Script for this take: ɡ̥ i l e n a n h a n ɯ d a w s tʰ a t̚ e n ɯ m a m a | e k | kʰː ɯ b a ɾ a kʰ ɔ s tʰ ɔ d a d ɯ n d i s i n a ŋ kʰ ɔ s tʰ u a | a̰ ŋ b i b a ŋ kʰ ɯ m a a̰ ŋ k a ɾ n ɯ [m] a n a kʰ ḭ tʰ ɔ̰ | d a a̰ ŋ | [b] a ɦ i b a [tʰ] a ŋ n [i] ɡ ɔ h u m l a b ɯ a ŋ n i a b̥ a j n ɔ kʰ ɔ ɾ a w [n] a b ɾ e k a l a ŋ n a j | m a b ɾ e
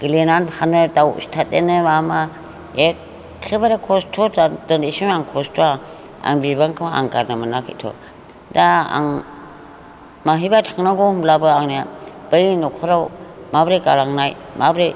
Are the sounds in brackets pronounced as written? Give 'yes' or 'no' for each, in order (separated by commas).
yes, no, yes, no, no